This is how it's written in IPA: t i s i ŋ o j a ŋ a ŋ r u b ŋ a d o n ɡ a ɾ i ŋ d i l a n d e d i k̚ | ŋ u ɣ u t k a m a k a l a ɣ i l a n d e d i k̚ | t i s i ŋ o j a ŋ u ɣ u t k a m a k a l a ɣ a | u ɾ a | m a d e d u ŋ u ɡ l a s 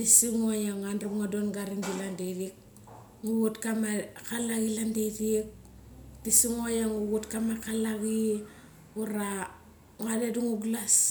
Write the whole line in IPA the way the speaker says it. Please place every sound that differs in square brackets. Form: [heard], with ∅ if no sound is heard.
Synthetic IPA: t i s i ŋ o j a ŋ a [n] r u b ŋ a d o n ɡ a ɾ i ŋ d i l a n d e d i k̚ | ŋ u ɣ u t k a m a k a l a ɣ i l a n d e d i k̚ | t i s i ŋ o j a ŋ u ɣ u t k a m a k a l a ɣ [i] | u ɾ a | [ŋ] a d e d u ŋ u ɡ l a s